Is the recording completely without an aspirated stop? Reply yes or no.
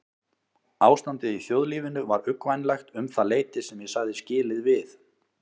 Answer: yes